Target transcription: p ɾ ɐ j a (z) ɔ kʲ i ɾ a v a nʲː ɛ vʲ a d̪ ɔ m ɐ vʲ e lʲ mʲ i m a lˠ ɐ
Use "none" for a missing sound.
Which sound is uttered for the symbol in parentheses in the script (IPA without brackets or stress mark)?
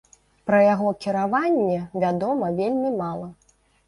ɣ